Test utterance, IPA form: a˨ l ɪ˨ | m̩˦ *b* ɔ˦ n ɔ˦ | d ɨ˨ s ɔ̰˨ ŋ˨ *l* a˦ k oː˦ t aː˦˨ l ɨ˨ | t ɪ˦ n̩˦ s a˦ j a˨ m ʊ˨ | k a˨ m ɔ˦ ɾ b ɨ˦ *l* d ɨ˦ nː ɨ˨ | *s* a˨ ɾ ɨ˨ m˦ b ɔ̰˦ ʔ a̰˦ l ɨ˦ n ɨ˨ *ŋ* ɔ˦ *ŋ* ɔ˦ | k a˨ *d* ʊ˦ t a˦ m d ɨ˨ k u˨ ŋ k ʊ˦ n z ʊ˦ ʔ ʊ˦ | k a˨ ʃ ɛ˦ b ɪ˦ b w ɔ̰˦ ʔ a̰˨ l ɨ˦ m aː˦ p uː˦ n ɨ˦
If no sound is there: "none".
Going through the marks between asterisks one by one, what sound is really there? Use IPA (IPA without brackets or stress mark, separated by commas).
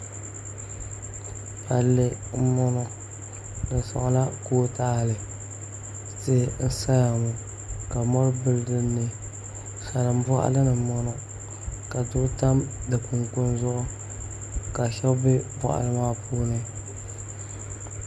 m, l, l, s, m, n, d